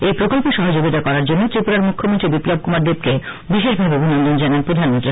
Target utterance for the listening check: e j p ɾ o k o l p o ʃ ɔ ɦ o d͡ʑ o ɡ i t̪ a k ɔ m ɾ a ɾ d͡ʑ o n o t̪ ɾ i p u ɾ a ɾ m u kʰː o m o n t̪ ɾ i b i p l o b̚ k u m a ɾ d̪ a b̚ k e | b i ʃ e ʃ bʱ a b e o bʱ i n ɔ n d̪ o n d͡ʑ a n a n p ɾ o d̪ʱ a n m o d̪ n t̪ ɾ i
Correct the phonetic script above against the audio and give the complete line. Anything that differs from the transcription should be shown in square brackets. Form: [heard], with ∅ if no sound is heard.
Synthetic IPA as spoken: e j p ɾ o k o l p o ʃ ɔ ɦ o d͡ʑ o ɡ i t̪ a k ɔ [∅] ɾ a ɾ d͡ʑ o [nː] o t̪ ɾ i p u ɾ a ɾ m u kʰː o m o n t̪ ɾ i b i p l o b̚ k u m a ɾ d̪ [e] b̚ k e | b i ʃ e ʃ bʱ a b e o bʱ i n ɔ n d̪ o n d͡ʑ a n a n p ɾ o d̪ʱ a n m o [∅] n t̪ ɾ i